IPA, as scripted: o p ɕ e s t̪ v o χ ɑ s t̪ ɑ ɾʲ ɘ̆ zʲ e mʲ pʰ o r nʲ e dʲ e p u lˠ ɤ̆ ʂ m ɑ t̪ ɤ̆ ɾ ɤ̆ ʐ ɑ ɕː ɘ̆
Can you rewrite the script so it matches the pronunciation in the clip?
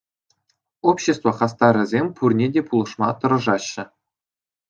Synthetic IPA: o p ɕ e s t̪ v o χ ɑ s t̪ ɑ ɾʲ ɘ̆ zʲ e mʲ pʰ u r nʲ e dʲ e p u lˠ ɤ̆ ʂ m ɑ t̪ ɤ̆ ɾ ɤ̆ ʐ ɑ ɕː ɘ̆